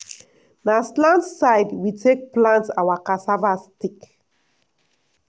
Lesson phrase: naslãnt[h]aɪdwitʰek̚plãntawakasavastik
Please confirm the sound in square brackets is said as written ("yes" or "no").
no